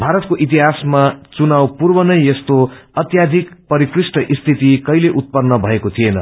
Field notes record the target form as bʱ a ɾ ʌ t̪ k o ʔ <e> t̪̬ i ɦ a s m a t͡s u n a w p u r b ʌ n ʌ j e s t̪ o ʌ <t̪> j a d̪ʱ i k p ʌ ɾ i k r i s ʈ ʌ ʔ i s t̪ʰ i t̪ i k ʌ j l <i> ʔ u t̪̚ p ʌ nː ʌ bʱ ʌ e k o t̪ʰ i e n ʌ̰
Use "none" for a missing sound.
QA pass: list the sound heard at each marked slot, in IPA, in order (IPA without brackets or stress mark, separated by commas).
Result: i, t̪, e